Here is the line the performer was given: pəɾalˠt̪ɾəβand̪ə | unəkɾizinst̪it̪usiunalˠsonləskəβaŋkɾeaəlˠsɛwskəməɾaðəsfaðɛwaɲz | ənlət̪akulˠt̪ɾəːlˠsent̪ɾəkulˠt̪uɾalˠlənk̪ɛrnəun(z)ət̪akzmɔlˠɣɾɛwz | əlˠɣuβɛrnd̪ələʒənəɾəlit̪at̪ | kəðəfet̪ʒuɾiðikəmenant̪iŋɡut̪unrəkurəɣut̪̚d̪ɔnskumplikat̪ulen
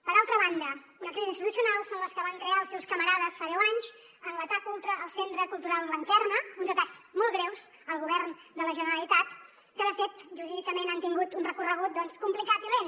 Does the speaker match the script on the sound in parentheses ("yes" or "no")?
yes